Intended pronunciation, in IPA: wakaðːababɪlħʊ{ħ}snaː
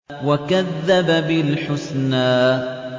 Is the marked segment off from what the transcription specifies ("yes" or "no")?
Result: yes